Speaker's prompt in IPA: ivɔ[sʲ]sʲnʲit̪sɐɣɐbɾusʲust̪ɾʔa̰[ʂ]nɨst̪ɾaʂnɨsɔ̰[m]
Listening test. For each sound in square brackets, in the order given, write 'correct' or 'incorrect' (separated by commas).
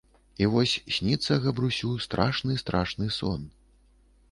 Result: correct, correct, incorrect